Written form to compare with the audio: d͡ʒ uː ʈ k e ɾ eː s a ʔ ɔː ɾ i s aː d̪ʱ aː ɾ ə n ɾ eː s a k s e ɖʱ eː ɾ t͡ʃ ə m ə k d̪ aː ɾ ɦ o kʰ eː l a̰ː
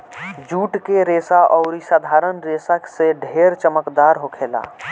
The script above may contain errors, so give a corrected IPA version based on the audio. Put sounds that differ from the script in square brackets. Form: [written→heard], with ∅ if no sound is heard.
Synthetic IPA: d͡ʒ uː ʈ k e ɾ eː s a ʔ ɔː ɾ i s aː d̪ʱ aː ɾ ə n ɾ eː s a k s e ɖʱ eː ɾ t͡ʃ ə m ə k d̪ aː ɾ ɦ o kʰ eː l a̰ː

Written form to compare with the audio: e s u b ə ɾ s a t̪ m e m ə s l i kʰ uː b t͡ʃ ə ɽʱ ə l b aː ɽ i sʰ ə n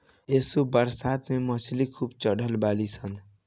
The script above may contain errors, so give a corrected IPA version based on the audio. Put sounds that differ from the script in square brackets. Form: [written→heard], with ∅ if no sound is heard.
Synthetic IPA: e s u b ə ɾ s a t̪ m e m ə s l i kʰ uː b t͡ʃ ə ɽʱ ə l b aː [ɽ→l] i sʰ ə n

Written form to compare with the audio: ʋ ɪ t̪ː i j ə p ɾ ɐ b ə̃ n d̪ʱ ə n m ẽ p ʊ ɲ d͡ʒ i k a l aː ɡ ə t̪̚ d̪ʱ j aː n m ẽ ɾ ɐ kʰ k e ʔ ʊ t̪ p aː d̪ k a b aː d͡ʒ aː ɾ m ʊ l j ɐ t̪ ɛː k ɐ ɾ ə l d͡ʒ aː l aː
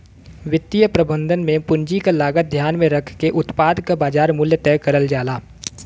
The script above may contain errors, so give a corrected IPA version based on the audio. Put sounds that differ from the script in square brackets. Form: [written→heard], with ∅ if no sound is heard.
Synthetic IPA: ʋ ɪ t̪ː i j ə p ɾ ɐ b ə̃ n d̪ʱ ə n m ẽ p ʊ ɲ d͡ʒ i k a l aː ɡ ə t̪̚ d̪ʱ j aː n m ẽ ɾ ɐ kʰ k e ʔ ʊ t̪ p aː d̪ k a b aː d͡ʒ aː ɾ m ʊ l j [ɐ→ə] t̪ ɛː k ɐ ɾ ə l d͡ʒ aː l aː

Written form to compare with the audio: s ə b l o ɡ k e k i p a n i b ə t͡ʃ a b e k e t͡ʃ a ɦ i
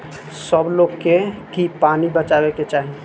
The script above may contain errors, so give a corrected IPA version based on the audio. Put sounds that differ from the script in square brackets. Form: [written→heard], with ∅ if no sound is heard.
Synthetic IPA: s ə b l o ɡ k e k i p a n i b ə t͡ʃ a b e k e t͡ʃ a ɦ i

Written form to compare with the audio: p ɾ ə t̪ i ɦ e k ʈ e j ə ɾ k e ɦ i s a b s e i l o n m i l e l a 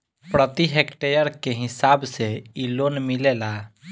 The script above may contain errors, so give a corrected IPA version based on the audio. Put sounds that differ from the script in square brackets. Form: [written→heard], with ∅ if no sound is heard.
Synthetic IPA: p ɾ ə t̪ i ɦ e k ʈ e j ə ɾ k e ɦ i s a b s e i l o n m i l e l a

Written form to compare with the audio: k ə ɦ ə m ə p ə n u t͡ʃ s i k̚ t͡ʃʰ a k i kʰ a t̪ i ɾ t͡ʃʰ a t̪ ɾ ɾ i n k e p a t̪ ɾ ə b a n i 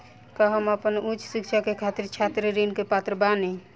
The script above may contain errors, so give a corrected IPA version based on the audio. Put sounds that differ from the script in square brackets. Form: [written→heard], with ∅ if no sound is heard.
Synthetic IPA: k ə ɦ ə m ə p ə n u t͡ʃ s i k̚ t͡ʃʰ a k [i→e] kʰ a t̪ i ɾ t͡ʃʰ a t̪ ɾ ɾ i n k e p a t̪ ɾ ə b a n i

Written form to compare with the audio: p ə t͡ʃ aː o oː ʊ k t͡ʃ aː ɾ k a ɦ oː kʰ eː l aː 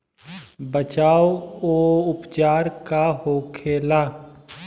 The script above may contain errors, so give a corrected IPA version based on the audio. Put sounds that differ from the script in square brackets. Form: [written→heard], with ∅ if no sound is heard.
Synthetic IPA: [p→b] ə t͡ʃ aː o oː ʊ [k→p] t͡ʃ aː ɾ k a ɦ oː kʰ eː l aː

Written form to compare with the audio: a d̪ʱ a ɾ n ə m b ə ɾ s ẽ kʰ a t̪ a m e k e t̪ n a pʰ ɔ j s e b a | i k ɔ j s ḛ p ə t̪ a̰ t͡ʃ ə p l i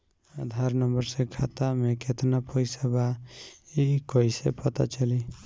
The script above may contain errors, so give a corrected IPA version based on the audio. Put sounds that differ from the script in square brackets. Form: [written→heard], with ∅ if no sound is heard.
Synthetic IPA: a d̪ʱ a ɾ n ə m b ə ɾ s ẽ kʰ a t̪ a m e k e t̪ n a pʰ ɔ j s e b a | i k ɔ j s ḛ p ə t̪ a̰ t͡ʃ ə [p→∅] l i

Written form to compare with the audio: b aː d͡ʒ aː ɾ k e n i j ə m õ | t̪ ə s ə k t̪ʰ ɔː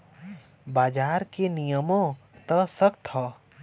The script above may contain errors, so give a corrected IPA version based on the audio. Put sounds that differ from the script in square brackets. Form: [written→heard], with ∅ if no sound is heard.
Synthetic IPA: b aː d͡ʒ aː ɾ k e n i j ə m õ | t̪ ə s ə k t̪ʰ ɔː

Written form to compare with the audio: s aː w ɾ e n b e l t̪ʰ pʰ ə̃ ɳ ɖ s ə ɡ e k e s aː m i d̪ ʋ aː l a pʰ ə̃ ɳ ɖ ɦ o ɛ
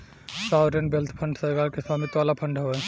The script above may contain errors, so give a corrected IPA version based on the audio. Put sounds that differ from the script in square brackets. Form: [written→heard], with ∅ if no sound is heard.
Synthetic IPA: s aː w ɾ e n b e l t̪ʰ pʰ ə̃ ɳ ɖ s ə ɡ [e→a] k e s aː m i [d̪→t̪] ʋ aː l a pʰ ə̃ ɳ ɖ ɦ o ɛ

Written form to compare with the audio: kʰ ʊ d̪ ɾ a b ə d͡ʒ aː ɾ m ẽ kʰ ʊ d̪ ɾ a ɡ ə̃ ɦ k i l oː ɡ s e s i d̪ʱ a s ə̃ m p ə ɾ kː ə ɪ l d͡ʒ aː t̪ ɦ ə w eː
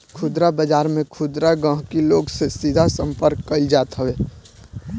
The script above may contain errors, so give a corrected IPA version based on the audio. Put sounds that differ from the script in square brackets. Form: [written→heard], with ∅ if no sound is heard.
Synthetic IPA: kʰ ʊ d̪ ɾ a b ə d͡ʒ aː ɾ m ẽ kʰ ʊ d̪ ɾ a ɡ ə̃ ɦ k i l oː ɡ s e s i d̪ʱ a s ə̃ m p ə ɾ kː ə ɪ l d͡ʒ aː t̪ ɦ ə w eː

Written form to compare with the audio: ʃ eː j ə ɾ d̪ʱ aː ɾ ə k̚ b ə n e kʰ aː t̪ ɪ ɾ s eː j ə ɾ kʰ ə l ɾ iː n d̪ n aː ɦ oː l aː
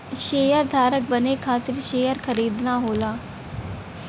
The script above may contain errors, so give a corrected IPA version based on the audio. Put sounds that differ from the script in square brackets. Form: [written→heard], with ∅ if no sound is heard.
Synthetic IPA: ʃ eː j ə ɾ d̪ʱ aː ɾ ə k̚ b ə n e kʰ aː t̪ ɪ ɾ [s→ʃ] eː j ə ɾ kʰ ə [l→∅] ɾ iː [n→∅] d̪ n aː ɦ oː l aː

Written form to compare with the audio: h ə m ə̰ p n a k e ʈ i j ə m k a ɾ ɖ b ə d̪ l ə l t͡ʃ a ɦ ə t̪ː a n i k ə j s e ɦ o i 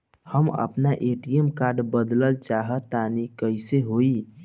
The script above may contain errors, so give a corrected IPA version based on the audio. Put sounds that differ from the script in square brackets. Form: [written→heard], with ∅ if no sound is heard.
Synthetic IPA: h ə m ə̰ p n a [k→ʔ] e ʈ i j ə m k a ɾ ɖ b ə d̪ l ə l t͡ʃ a ɦ ə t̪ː a n i k ə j s e ɦ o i

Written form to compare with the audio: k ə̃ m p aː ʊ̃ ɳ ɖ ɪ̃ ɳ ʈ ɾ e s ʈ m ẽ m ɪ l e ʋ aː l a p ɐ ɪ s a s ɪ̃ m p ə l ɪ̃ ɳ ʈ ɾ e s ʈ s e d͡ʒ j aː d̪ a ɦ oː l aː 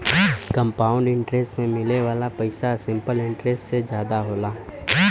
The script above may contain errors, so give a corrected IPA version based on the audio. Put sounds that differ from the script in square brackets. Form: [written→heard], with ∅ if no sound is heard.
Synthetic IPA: k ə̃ m p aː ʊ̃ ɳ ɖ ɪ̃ ɳ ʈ ɾ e s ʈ m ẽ m ɪ l e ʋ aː l a p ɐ ɪ s a s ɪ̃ m p ə l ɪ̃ ɳ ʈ ɾ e s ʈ s e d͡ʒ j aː d̪ a ɦ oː l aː

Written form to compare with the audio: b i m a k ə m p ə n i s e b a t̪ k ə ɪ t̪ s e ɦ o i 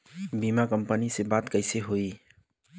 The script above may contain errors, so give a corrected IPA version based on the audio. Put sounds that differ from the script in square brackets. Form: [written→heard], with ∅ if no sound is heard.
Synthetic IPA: b i m a k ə m p ə n i s e b a t̪ k ə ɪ [t̪→∅] s e ɦ o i

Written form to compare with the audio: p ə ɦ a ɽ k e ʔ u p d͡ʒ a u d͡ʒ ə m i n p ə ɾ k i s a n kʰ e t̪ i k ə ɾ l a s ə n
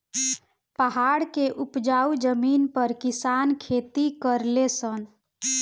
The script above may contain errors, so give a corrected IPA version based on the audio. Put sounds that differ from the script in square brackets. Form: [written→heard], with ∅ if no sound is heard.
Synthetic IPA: p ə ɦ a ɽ k e ʔ u p d͡ʒ a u d͡ʒ ə m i n p ə ɾ k i s a n kʰ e t̪ i k ə ɾ l [a→e] s ə n

